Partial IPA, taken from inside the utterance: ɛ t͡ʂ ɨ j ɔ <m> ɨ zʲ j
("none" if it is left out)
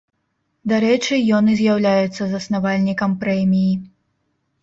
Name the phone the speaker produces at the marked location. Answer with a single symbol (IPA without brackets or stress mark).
n